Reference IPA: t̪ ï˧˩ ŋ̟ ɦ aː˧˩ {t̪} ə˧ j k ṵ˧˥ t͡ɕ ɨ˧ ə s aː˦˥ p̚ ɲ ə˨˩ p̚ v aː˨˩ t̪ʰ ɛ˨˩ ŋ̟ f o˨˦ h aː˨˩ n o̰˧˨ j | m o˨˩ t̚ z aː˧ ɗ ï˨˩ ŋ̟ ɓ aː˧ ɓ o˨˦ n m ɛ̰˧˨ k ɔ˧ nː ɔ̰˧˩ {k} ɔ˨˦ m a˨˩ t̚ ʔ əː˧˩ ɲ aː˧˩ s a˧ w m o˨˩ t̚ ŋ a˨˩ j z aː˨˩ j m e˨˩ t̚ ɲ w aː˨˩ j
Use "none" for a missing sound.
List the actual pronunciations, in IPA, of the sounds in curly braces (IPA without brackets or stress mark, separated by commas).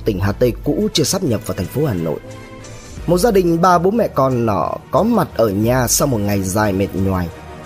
t̪, k